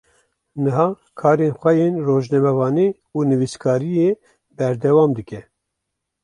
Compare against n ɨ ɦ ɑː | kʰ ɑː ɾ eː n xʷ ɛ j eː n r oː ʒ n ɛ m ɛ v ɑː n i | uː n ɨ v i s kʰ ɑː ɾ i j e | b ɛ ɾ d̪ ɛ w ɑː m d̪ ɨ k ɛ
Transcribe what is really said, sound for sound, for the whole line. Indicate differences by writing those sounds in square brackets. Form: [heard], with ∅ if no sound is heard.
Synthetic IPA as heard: n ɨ ɦ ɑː | kʰ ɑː ɾ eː n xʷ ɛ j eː n r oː ʒ n ɛ m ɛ v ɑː n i | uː n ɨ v i s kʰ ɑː ɾ i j e | b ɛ ɾ d̪ ɛ w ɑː m d̪ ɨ k ɛ